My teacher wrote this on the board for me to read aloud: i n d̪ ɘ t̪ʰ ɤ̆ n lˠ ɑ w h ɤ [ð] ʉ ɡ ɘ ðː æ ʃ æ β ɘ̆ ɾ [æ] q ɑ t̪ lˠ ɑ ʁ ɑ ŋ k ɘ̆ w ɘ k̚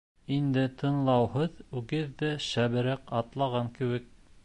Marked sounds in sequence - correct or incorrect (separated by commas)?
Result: correct, correct